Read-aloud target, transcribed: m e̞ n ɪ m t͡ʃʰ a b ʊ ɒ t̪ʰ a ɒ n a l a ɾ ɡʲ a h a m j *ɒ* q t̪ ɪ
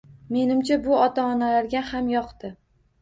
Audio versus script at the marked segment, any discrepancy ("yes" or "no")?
no